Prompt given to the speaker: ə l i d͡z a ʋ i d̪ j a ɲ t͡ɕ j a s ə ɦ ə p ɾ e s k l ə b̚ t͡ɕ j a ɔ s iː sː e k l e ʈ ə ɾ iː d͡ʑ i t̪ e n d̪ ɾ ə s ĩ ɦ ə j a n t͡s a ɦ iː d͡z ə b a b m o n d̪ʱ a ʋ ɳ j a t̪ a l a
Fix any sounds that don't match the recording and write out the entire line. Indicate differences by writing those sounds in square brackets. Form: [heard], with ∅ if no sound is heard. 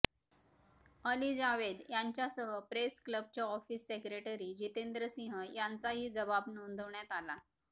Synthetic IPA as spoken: ə l i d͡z a ʋ [e] d̪ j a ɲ t͡ɕ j a s ə ɦ ə p ɾ e s k l ə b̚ t͡ɕ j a ɔ [f] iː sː e k [ɾ] e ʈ ə ɾ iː d͡ʑ i t̪ e n d̪ ɾ ə s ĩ ɦ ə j a n t͡s a ɦ iː d͡z ə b a b [n] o n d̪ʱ [ə] ʋ ɳ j a t̪ a l a